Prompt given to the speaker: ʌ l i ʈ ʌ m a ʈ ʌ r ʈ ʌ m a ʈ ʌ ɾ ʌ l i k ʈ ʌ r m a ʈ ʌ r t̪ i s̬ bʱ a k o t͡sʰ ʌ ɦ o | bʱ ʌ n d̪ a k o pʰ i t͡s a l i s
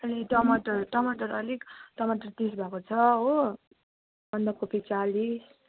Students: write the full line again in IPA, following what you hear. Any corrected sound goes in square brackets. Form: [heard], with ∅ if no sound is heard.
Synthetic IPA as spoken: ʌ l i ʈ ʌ m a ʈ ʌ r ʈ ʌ m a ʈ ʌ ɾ ʌ l i k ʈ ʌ [∅] m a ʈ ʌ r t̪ i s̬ bʱ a k o t͡sʰ ʌ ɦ o | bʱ ʌ n d̪ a k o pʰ i t͡s a l i s